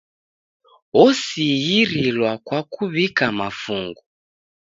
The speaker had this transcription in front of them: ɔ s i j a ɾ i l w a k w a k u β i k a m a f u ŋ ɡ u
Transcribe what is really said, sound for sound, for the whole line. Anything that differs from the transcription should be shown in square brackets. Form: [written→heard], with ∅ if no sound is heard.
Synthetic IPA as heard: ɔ s i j [a→i] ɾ i l w a k w a k u β i k a m a f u ŋ ɡ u